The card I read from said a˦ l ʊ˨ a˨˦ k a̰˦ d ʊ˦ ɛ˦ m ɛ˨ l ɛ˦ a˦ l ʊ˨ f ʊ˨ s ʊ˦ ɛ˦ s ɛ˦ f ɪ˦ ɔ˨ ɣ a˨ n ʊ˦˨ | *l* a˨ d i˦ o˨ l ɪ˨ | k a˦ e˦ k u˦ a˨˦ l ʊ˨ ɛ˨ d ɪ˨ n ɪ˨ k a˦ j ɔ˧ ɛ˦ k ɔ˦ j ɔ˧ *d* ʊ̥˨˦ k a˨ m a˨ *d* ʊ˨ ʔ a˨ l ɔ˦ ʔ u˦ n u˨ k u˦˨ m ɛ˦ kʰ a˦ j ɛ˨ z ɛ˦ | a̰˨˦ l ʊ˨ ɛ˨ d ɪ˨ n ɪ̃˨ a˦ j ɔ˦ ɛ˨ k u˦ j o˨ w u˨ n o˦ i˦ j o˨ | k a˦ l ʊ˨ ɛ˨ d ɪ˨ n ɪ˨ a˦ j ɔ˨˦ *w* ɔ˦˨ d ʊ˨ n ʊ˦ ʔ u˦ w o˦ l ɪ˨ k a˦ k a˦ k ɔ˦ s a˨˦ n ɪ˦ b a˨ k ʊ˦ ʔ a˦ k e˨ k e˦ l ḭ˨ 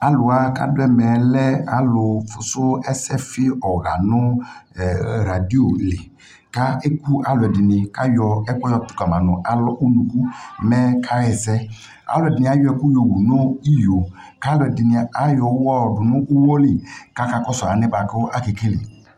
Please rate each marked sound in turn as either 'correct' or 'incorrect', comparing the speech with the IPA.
incorrect: ɾ, incorrect: t, incorrect: n, correct

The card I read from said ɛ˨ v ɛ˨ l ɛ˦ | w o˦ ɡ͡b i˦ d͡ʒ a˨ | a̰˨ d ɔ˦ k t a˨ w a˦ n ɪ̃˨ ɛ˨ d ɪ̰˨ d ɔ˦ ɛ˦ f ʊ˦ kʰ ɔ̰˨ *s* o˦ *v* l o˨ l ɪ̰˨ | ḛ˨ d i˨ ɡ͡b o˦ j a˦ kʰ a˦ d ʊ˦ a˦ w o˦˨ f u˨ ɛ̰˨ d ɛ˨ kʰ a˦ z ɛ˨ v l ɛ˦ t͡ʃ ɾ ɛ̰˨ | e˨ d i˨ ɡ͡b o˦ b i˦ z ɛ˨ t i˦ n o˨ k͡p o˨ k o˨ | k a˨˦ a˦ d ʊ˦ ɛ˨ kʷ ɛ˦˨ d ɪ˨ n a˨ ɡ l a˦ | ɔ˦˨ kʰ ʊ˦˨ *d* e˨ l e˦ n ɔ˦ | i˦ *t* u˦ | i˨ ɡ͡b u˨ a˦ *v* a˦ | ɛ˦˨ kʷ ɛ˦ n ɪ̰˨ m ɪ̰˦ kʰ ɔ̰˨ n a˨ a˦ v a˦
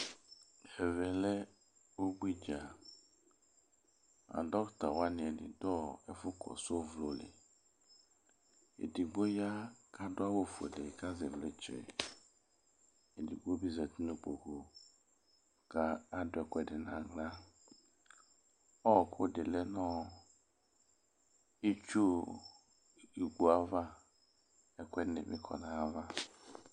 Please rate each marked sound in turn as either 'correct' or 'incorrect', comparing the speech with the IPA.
correct, correct, correct, incorrect: t͡ʃ, correct

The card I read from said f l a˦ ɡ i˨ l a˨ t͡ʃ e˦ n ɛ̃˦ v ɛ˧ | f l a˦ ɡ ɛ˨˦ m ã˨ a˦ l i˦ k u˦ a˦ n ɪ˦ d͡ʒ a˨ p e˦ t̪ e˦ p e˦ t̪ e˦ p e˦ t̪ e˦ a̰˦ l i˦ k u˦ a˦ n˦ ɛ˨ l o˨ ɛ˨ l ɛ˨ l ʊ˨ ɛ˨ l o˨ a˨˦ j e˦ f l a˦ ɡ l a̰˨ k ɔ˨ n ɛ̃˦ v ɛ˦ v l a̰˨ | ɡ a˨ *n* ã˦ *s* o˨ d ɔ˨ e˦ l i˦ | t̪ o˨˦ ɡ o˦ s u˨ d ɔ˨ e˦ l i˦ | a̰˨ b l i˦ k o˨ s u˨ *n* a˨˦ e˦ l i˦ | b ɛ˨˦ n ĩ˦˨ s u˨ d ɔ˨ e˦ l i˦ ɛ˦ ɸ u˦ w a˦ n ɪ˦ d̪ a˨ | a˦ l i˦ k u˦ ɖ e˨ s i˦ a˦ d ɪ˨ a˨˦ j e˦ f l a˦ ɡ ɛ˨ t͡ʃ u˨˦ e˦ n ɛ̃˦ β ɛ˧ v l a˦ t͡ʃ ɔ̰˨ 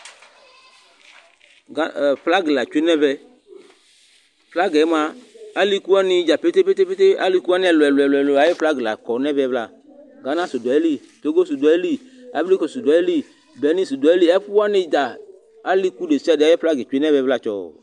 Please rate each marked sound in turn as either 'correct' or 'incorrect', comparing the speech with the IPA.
correct, correct, incorrect: d

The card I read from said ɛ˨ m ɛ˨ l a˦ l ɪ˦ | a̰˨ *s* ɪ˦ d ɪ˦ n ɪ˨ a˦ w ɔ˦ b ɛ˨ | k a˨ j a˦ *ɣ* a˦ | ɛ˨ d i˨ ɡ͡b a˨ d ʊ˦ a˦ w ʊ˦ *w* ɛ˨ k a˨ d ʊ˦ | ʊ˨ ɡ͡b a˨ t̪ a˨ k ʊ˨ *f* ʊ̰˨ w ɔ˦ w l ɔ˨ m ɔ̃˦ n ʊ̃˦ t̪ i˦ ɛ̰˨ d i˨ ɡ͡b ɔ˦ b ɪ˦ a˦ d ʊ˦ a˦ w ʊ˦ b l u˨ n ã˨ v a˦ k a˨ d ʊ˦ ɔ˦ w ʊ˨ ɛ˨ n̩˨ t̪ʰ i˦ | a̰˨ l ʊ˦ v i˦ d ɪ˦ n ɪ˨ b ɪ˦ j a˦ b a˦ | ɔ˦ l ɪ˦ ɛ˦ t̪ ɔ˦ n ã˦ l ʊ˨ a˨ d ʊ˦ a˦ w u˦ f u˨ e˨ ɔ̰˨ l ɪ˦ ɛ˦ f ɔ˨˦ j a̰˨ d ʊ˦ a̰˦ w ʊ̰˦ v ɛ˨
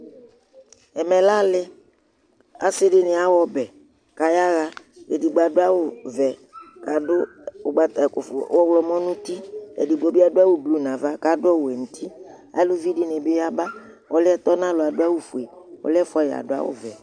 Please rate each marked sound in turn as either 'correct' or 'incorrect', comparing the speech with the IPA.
correct, correct, incorrect: v, correct

